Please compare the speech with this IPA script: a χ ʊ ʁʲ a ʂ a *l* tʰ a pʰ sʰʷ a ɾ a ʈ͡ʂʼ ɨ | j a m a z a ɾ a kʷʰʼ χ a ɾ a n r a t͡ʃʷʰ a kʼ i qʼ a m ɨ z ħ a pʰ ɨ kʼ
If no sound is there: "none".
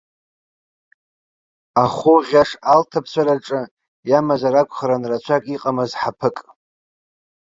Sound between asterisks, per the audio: l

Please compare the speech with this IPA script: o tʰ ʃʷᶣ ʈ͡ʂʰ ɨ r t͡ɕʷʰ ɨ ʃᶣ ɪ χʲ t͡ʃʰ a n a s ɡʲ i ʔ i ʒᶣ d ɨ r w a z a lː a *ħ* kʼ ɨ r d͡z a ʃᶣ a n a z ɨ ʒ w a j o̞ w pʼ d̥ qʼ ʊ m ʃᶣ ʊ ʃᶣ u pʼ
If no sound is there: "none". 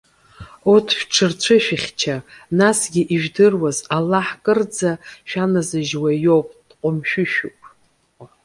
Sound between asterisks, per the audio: ħ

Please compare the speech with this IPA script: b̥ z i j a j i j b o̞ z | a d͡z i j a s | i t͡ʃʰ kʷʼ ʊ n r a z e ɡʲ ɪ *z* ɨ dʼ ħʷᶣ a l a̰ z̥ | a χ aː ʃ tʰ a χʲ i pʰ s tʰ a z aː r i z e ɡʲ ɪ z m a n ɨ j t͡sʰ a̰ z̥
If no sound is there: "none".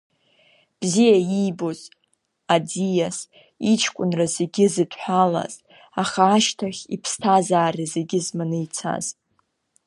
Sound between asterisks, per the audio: z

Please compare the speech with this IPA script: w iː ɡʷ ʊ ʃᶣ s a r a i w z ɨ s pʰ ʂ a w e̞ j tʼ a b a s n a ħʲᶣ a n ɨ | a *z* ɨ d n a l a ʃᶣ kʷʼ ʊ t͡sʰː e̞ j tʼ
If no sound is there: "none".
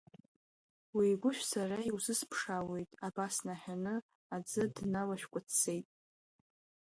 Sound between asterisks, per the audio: d͡z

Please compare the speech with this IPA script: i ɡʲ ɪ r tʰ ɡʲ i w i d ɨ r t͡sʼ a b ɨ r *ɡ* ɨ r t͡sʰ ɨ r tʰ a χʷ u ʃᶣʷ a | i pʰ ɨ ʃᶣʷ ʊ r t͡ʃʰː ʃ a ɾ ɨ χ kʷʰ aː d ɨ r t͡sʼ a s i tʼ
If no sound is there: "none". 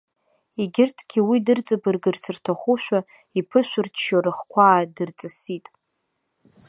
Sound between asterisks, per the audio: ɡ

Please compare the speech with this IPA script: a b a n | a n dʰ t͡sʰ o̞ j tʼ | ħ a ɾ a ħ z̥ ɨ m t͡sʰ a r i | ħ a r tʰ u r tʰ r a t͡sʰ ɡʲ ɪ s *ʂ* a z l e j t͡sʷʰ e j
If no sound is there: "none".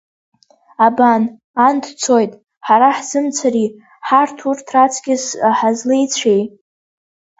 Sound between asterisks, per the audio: ħ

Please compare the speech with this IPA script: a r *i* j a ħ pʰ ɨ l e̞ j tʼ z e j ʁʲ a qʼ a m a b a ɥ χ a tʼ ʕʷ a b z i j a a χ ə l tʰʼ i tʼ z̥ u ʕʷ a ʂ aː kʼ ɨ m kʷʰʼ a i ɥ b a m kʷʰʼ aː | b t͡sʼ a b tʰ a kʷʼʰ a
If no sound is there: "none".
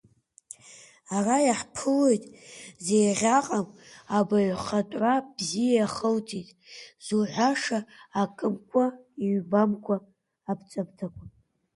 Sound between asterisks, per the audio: a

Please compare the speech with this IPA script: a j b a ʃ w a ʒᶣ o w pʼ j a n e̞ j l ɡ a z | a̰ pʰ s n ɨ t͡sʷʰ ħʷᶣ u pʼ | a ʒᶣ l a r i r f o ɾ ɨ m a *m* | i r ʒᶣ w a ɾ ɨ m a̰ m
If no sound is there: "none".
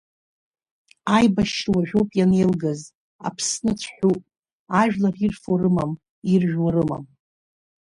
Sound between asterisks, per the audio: m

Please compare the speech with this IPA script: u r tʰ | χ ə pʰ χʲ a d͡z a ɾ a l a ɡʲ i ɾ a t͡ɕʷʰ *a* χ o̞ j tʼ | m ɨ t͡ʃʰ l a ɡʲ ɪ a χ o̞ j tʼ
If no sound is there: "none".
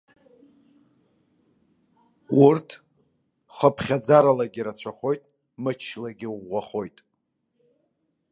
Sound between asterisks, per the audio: a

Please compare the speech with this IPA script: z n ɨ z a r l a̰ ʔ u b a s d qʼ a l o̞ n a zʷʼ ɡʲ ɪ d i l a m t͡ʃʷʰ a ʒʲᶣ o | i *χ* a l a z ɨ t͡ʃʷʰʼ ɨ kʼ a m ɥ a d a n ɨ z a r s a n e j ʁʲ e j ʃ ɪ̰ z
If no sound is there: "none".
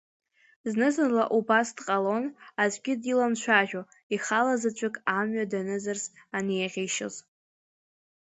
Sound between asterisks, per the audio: χ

